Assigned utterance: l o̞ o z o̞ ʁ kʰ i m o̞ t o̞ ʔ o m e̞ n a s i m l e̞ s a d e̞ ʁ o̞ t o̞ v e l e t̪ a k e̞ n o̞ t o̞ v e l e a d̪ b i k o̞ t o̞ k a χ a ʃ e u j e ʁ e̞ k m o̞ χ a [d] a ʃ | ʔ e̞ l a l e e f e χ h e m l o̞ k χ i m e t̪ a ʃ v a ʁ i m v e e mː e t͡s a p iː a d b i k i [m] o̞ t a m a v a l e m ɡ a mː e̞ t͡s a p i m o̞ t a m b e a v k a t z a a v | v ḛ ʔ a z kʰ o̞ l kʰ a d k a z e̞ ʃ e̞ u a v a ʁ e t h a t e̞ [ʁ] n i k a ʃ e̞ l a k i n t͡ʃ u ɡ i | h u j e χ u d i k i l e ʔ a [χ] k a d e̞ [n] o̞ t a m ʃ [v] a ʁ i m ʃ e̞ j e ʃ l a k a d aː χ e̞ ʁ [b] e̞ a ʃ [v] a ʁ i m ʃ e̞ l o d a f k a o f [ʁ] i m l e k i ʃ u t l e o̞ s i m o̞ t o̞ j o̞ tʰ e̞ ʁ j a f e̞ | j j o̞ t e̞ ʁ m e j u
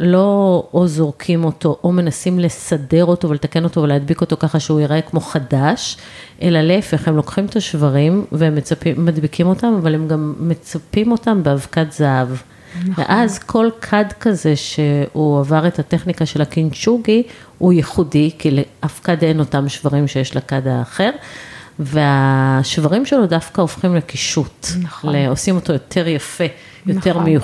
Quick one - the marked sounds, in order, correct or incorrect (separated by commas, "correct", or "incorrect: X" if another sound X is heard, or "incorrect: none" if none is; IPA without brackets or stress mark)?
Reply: correct, correct, incorrect: χ, incorrect: f, correct, correct, incorrect: v, correct, incorrect: χ